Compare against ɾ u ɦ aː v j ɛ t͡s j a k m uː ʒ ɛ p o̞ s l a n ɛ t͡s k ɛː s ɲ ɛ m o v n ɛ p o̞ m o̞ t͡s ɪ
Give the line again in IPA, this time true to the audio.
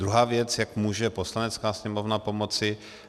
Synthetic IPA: ɾ u ɦ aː v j ɛ t͡s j a k m uː ʒ ɛ p o̞ s l a n ɛ t͡s k aː s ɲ ɛ m o v n a p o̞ m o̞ t͡s ɪ